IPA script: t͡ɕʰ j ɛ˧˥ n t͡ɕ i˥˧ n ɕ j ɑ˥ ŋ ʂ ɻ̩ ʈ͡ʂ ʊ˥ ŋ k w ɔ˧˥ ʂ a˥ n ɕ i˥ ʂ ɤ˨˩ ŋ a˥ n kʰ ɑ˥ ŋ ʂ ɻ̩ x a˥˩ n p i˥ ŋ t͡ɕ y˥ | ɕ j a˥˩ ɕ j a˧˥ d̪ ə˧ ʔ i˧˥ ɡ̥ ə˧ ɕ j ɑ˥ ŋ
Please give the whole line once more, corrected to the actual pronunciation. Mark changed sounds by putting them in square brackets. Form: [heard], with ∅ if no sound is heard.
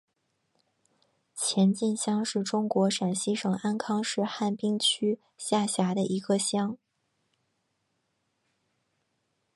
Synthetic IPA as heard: t͡ɕʰ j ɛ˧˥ n t͡ɕ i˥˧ n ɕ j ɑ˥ ŋ ʂ ɻ̩ ʈ͡ʂ ʊ˥ ŋ k w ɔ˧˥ ʂ [a˨˩] n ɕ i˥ ʂ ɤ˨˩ ŋ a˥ n kʰ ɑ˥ ŋ ʂ ɻ̩ x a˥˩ n p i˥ ŋ [t͡ɕʰ] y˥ | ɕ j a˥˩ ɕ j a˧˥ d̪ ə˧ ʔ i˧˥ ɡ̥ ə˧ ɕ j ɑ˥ ŋ